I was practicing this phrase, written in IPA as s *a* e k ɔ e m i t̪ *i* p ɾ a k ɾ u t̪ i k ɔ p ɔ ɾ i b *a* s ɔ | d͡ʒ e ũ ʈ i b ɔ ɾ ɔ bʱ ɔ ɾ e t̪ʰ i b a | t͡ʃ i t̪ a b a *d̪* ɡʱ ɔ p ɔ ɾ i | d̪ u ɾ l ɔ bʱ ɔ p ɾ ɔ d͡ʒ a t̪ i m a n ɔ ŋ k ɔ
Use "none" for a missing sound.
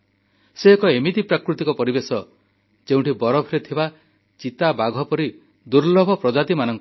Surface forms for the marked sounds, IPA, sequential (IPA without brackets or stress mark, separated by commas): e, i, e, none